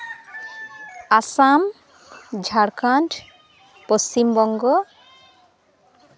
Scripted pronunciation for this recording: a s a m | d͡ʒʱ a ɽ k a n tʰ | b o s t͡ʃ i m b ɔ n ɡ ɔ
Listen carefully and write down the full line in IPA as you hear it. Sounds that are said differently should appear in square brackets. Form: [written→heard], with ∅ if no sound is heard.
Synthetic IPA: a s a m | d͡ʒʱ a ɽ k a n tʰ | [b→p] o s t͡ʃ i m b ɔ [n→ŋ] ɡ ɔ